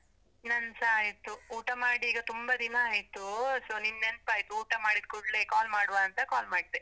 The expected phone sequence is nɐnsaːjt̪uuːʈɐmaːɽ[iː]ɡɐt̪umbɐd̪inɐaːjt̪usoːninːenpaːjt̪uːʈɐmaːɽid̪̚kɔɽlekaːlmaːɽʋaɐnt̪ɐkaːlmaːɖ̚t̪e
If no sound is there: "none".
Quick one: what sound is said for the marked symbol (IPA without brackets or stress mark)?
iː